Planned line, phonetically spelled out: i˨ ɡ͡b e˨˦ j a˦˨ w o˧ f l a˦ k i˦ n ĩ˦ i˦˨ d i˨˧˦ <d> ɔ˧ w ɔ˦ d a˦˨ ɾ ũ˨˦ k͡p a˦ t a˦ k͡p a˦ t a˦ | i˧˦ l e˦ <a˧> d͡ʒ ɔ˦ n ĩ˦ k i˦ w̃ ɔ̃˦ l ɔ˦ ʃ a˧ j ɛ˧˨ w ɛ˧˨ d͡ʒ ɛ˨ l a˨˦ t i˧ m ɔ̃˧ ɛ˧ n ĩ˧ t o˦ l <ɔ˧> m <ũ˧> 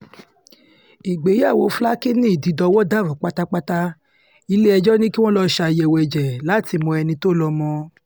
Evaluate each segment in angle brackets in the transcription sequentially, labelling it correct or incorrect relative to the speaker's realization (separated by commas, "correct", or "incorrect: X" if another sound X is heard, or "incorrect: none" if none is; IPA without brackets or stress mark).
correct, incorrect: ɛ˧, correct, incorrect: ɔ̃˧